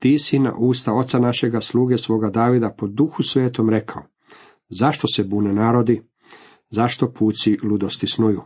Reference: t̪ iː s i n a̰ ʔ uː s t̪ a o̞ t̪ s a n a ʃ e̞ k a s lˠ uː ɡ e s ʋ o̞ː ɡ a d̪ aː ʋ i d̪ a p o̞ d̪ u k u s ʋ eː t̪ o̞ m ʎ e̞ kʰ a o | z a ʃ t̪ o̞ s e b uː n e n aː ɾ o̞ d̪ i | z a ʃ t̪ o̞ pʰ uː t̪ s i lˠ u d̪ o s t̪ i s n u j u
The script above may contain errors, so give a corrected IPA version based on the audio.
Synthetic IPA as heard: t̪ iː s i n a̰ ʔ uː s t̪ a o̞ t̪ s a n a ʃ e̞ ɡ a s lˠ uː ɡ e s ʋ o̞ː ɡ a d̪ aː ʋ i d̪ a p o̞ d̪ u x u s ʋ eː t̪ o̞ m ɾ e̞ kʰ a o | z a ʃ t̪ o̞ s e b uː n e n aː ɾ o̞ d̪ i | z a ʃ t̪ o̞ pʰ uː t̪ s i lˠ u d̪ o s t̪ i s n u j u